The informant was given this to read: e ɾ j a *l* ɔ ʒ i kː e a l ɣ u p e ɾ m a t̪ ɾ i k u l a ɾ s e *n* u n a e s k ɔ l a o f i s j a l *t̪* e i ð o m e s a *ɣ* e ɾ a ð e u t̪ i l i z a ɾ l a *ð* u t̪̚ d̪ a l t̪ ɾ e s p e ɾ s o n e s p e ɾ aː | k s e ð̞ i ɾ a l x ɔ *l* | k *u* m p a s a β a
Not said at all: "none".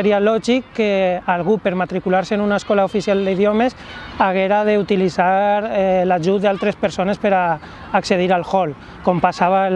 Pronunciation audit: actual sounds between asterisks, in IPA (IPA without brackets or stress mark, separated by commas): l, n, d̪, ɣ, ʒ, l, o